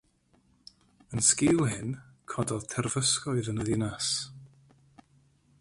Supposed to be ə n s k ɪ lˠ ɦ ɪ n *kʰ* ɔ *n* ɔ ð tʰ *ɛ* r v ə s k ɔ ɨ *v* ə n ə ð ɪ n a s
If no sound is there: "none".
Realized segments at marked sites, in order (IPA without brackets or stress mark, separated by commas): kʰ, d, ɛ, ð